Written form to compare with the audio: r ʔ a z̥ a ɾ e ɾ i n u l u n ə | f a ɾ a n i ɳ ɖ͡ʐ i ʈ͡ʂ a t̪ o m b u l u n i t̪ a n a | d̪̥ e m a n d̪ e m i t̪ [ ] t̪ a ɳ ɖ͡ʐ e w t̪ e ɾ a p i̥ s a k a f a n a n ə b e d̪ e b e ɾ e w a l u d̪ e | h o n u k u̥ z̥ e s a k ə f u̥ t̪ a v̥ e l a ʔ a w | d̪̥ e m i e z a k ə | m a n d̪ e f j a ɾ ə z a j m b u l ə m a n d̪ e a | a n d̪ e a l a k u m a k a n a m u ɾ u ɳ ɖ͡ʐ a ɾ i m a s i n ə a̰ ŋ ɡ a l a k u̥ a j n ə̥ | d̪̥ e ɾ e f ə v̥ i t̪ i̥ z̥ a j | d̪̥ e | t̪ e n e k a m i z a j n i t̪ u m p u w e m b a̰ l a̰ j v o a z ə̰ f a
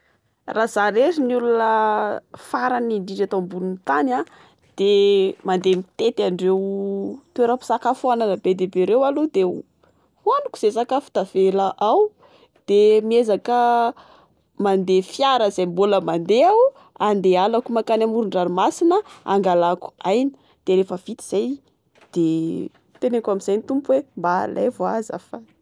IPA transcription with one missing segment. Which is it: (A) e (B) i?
A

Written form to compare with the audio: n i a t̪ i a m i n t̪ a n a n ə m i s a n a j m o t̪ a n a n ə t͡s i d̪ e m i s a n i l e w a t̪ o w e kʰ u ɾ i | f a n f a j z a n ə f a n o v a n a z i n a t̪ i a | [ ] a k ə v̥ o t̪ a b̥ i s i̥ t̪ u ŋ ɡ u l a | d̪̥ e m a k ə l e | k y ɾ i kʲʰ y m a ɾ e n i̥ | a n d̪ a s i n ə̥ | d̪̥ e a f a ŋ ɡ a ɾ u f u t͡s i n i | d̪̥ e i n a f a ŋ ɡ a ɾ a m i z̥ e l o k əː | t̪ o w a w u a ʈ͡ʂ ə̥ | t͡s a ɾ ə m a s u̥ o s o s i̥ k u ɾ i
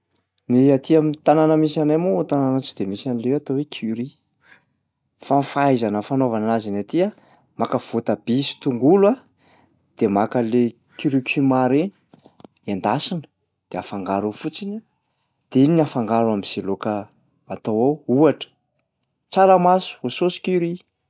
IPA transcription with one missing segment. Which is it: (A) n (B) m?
B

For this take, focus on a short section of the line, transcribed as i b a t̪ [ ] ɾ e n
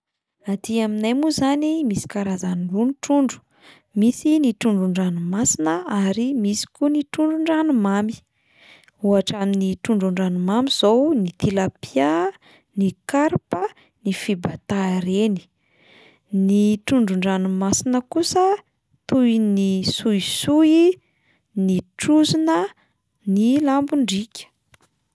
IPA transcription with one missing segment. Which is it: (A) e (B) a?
B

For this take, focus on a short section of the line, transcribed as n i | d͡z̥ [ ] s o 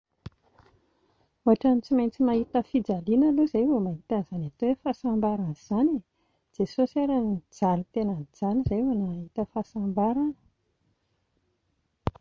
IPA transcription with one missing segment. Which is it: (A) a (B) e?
B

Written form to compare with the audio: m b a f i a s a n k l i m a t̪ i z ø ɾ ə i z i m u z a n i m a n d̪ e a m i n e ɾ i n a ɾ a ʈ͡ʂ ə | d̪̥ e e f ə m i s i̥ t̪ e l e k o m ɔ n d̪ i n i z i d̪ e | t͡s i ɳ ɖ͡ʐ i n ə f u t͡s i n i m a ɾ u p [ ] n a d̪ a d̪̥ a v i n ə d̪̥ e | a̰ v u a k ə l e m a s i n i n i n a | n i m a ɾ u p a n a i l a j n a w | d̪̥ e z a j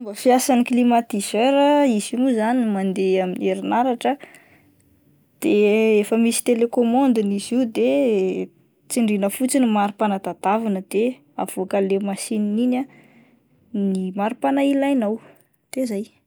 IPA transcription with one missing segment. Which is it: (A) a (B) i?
A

